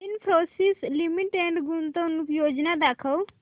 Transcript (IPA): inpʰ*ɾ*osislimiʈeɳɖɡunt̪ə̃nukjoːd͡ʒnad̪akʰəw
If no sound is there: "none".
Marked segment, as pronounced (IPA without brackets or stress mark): ɾ